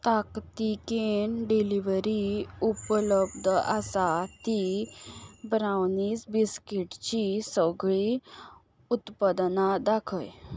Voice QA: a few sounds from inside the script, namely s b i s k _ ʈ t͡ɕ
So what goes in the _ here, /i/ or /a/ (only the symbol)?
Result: i